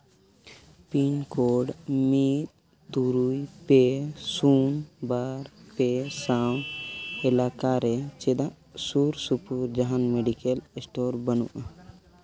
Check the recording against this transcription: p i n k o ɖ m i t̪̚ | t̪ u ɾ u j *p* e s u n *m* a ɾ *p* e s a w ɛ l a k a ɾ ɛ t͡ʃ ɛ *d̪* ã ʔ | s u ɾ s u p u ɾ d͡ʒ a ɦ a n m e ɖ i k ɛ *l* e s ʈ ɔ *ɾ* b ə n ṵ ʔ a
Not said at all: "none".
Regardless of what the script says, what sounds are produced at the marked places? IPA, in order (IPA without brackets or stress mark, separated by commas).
p, b, p, d̪, l, ɾ